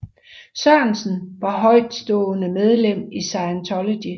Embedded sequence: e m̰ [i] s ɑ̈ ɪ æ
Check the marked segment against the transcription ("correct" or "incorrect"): correct